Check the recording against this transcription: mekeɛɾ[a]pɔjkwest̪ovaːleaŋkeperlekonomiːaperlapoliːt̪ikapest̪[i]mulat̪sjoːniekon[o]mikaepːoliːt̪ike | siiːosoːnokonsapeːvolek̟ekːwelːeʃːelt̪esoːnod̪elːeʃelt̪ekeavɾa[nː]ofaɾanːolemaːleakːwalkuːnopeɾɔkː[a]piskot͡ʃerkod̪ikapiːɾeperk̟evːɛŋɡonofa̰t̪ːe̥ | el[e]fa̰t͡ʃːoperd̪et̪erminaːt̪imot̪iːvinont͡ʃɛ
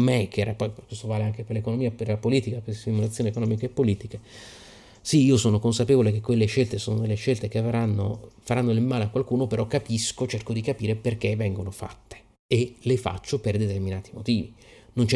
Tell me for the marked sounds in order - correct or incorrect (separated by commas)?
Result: correct, correct, incorrect, correct, correct, correct